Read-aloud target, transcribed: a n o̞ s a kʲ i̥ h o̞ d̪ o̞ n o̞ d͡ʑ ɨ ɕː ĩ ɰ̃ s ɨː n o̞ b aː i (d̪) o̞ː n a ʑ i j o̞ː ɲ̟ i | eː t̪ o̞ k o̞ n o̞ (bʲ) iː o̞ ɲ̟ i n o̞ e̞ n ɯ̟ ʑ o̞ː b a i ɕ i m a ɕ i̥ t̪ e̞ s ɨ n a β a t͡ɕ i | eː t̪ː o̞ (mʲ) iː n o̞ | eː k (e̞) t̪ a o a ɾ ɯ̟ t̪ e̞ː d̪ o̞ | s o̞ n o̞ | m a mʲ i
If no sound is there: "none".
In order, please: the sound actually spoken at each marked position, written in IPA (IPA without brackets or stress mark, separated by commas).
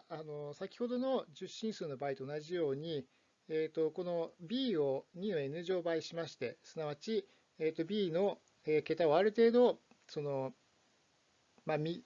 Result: t̪, bʲ, bʲ, e̞